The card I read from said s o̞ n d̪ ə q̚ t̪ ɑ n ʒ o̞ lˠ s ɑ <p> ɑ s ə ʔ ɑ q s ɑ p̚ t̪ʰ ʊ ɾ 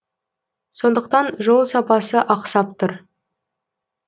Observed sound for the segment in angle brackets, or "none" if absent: p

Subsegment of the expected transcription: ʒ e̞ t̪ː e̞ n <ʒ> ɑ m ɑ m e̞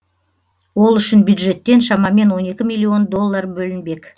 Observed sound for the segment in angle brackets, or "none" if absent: ʃ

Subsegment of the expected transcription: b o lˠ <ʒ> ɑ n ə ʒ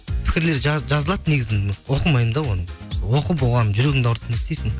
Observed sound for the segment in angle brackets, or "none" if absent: ʁ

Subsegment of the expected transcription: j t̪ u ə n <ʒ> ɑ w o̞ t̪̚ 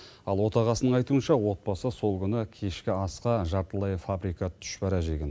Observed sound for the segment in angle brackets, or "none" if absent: ʃ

